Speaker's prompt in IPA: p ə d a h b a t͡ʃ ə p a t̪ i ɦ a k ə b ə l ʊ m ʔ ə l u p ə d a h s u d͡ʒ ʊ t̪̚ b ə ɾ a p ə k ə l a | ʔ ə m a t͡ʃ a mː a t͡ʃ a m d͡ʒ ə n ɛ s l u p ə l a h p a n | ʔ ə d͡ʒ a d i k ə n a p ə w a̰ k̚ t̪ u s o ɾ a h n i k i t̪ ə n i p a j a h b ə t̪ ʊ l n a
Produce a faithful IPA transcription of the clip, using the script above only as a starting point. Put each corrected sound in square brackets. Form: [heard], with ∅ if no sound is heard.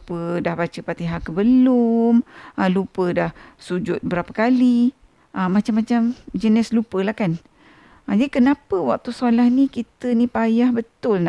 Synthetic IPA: p ə d a h b a t͡ʃ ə p a t̪ i ɦ a k ə b ə l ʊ m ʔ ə l u p ə d a h s u d͡ʒ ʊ t̪̚ b ə ɾ a p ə k [a] l [i] | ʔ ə m a t͡ʃ a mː a t͡ʃ a m d͡ʒ ə n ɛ s l u p ə l a h [k] a n | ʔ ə d͡ʒ a d i k ə n a p ə w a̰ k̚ t̪ u s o [l] a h n i k i t̪ ə n i p a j a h b ə t̪ ʊ l n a